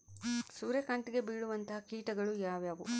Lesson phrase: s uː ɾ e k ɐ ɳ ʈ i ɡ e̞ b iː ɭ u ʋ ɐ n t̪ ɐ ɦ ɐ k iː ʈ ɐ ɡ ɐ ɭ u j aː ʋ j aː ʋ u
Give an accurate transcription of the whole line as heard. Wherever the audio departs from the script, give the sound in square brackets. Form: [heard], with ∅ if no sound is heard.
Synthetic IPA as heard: s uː ɾ e k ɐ ɳ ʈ i ɡ e̞ b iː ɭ u ʋ ɐ n t̪ ɐ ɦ ɐ k iː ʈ ɐ ɡ ɐ ɭ u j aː ʋ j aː ʋ u